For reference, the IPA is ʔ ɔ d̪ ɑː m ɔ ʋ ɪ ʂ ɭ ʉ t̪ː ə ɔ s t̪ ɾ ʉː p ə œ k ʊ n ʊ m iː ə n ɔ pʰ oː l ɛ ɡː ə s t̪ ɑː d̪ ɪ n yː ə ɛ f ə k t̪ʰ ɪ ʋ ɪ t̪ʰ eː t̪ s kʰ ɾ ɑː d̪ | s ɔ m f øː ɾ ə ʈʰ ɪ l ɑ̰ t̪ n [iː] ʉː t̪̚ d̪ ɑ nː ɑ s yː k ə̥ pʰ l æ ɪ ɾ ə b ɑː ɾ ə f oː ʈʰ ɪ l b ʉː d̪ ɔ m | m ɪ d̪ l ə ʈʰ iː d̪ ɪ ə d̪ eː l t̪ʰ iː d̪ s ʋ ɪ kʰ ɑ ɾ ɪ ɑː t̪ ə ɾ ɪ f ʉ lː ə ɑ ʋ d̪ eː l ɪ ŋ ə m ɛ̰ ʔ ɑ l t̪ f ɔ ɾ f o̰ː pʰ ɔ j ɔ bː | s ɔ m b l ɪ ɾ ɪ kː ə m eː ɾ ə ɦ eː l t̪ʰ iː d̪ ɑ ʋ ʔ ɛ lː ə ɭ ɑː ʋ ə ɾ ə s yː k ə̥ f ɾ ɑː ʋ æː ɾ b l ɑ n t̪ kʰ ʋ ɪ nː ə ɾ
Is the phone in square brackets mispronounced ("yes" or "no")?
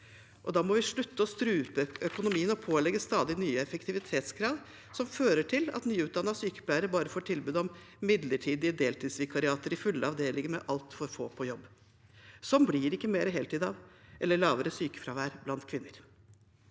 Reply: yes